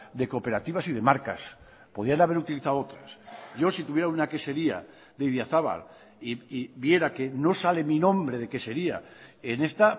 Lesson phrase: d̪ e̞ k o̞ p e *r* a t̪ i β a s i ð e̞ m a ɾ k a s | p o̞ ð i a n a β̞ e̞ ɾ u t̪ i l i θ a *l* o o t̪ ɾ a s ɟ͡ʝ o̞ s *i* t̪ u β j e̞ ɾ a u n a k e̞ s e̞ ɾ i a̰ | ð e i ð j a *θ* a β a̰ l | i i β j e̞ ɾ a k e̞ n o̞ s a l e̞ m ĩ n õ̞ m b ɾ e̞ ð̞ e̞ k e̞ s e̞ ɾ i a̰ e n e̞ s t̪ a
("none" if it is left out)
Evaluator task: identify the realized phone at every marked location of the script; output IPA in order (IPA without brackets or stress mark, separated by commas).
ɾ, none, i, θ